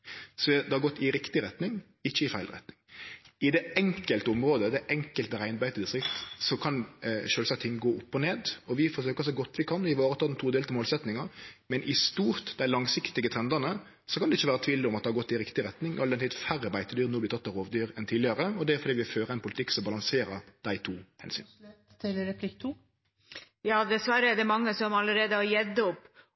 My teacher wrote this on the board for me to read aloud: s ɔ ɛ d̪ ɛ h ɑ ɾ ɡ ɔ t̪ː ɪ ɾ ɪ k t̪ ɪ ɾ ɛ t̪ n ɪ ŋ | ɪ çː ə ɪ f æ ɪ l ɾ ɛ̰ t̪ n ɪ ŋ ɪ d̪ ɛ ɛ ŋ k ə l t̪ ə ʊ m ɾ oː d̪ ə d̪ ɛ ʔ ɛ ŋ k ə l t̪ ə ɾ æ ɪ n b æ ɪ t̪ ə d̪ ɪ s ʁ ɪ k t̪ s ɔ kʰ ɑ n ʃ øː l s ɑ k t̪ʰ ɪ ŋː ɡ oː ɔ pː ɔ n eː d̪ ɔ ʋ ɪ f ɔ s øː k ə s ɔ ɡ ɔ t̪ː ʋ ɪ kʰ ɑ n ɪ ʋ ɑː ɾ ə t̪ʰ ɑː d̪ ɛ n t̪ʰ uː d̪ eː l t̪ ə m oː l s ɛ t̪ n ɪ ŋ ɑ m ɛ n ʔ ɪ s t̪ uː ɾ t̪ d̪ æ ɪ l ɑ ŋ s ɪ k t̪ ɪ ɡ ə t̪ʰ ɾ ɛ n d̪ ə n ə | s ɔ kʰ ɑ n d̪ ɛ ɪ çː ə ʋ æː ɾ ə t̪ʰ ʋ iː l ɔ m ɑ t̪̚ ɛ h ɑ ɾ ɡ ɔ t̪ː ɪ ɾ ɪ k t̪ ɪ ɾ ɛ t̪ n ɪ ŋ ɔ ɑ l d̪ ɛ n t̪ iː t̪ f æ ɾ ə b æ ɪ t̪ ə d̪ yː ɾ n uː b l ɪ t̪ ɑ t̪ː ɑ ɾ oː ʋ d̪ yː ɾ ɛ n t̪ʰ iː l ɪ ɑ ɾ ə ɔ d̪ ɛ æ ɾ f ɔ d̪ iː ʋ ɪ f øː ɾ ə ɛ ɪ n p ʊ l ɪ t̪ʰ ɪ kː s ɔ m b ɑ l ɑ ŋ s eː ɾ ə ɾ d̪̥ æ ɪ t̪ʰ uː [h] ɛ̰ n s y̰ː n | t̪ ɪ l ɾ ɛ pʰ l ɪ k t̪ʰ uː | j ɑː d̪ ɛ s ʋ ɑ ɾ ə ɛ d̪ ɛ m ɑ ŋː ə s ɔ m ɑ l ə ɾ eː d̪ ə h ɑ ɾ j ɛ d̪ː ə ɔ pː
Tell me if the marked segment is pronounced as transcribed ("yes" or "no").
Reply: yes